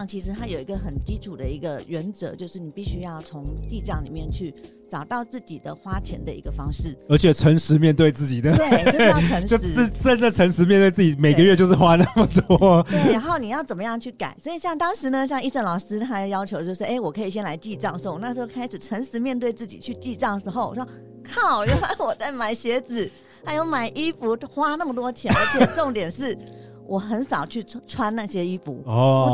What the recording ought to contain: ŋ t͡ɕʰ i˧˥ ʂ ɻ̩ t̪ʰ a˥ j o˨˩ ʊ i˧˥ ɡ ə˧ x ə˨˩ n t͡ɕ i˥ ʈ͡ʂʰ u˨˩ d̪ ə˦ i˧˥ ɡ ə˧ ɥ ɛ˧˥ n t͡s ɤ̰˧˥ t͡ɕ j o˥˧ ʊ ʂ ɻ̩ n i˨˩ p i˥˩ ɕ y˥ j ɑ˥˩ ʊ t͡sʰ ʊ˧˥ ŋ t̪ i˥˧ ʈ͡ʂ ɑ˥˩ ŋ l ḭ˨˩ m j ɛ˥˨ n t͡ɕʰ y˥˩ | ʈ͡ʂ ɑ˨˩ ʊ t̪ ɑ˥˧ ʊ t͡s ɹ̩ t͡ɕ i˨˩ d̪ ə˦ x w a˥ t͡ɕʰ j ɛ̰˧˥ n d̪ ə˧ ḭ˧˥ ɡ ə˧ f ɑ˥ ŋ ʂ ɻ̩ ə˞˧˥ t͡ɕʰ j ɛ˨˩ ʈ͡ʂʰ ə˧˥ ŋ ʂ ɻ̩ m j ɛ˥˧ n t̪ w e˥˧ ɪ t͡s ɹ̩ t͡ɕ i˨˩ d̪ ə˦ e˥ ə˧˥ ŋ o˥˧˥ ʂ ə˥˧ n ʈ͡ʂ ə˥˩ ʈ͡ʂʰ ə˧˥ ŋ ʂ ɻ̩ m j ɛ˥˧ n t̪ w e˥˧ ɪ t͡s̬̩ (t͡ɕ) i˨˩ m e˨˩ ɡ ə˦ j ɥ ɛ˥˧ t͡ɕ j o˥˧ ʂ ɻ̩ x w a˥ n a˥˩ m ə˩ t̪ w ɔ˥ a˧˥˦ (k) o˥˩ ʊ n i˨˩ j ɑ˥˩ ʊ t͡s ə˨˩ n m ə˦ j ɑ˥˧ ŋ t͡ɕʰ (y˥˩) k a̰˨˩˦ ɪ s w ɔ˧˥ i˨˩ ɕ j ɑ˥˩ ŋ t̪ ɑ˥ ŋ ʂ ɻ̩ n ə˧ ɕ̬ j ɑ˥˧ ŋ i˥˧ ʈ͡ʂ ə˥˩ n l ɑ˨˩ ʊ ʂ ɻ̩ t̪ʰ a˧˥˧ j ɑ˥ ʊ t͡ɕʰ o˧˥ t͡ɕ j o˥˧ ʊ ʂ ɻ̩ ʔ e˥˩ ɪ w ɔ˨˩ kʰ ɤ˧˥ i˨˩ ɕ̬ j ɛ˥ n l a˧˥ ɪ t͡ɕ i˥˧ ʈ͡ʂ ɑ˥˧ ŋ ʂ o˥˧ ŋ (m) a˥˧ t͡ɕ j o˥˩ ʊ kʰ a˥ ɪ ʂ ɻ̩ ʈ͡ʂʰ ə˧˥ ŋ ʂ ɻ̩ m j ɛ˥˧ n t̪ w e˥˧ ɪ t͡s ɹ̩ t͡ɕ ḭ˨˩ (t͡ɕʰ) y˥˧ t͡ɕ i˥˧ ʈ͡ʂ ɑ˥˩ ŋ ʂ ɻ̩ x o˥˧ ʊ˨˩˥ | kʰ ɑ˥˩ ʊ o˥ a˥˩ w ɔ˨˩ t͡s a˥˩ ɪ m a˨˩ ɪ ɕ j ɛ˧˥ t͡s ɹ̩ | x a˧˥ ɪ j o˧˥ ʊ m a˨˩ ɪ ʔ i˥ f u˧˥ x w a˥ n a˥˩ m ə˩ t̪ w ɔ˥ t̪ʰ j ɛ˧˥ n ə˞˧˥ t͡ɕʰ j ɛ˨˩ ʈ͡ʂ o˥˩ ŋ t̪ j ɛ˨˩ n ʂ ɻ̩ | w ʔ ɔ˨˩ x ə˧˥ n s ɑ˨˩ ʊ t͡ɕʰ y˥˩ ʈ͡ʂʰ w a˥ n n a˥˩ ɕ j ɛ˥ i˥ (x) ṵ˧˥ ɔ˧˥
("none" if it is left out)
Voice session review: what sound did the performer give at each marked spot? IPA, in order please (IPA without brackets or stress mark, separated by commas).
t͡ɕ, x, y˥˩, n, t͡ɕʰ, f